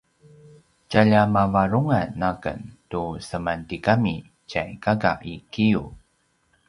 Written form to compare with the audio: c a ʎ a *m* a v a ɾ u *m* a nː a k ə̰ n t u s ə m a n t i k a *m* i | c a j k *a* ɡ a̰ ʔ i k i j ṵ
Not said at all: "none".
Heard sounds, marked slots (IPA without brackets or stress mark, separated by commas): m, ŋ, m, a